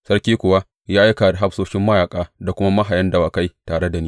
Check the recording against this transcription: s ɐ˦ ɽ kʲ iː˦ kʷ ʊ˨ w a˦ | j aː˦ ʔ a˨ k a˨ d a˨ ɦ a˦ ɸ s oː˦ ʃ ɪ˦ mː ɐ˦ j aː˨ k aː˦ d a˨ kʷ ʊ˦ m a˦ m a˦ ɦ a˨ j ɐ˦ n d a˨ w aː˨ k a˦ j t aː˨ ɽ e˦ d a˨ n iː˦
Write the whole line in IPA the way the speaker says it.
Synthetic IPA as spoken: s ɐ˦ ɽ kʲ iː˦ kʷ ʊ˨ w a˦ | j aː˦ ʔ a˦ k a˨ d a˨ ɦ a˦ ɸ s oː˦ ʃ ɪ˦ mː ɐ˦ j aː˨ kʼ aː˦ d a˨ kʷ ʊ˦ m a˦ m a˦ ɦ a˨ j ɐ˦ n d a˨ w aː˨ k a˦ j t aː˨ ɽ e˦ d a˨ n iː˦